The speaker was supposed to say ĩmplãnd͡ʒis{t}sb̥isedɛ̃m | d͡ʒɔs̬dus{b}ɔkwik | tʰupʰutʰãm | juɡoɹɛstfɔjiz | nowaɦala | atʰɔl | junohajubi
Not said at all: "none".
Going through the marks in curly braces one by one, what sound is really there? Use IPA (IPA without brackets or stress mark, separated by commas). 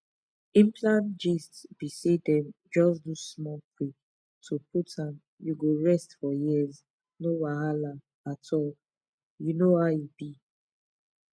t, m